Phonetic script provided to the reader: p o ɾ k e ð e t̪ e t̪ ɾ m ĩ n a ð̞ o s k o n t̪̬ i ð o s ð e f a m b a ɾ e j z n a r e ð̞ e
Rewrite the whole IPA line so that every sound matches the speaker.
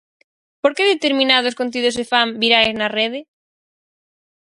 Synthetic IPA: p o ɾ k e ð e t̪ e ɾ m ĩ n a ð̞ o s k o n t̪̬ i ð o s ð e f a m b i ɾ a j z n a r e ð̞ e